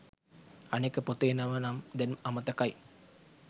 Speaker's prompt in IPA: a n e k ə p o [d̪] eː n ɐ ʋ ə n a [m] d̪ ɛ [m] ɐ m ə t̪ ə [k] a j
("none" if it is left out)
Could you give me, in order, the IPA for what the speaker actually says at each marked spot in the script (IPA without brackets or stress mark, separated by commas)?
t̪, m, n, k